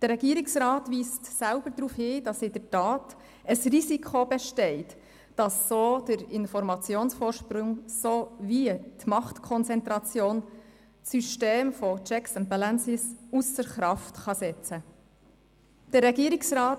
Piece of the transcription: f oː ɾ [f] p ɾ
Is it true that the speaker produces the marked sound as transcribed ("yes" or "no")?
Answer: no